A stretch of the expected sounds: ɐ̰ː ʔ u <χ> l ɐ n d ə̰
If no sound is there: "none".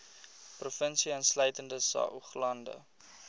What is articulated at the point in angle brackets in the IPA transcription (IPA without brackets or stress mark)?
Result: χ